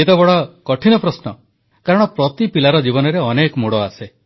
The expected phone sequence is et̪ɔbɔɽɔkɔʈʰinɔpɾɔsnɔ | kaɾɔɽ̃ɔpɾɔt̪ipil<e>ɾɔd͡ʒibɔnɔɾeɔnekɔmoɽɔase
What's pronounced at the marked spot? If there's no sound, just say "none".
a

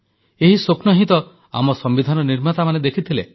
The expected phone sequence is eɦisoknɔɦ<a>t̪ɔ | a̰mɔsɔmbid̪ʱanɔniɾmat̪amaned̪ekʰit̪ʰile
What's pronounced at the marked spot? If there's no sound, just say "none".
i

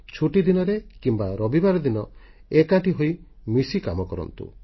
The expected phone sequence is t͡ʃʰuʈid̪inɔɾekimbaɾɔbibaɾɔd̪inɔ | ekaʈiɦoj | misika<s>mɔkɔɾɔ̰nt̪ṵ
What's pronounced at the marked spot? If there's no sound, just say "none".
none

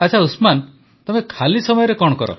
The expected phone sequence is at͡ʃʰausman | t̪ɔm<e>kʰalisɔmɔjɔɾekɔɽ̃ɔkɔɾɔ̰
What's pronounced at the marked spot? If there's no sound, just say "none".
e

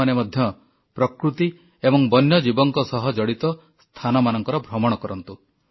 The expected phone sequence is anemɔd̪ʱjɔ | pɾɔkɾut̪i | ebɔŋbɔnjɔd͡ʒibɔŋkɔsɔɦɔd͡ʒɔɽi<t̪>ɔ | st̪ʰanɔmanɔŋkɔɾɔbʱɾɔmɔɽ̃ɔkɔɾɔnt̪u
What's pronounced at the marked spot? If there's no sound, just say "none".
t̪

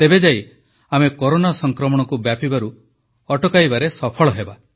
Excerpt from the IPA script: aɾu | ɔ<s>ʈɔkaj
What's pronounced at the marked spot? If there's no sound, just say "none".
none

